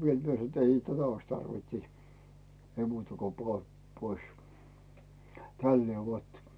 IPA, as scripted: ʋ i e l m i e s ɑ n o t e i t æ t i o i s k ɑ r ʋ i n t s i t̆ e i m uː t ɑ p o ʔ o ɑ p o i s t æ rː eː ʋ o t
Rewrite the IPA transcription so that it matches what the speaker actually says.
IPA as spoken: ʋ i e l m i e s ɑ n o t e i t æ t æ o i s t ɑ r ʋ i n t s i t̆ e i m uː t ɑ k o p o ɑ p o i s t æ lː eː ʋ o t